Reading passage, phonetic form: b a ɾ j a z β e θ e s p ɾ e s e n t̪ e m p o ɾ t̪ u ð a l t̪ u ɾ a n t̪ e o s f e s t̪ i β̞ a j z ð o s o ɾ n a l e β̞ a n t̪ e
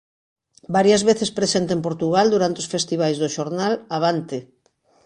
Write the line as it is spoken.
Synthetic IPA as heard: b a ɾ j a z β e θ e s p ɾ e s e n t̪ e m p o ɾ t̪ u ɣ a l d̪ u ɾ a n t̪ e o s f e s t̪ i β̞ a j z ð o ʃ o ɾ n a l a β̞ a n t̪ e